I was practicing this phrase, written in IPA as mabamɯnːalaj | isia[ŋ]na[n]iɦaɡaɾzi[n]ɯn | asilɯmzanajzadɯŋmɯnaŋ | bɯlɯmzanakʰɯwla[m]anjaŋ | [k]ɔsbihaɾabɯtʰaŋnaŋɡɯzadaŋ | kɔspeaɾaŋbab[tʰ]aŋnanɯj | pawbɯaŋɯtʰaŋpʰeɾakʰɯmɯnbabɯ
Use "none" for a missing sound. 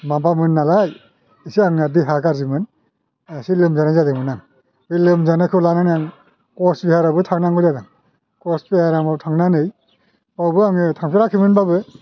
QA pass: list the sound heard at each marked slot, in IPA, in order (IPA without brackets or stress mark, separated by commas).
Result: ŋ, d, m, n, k, tʰ